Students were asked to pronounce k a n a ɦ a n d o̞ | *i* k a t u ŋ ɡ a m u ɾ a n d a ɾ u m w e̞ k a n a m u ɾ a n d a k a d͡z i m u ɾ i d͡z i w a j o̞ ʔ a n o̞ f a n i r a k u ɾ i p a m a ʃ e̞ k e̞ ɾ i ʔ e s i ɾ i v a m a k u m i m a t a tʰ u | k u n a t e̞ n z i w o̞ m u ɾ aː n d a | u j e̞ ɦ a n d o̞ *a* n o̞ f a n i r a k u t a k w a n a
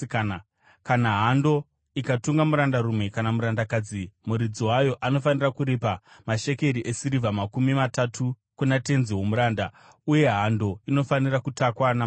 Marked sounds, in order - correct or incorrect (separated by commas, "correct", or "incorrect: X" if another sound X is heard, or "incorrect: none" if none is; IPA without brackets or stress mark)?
correct, incorrect: i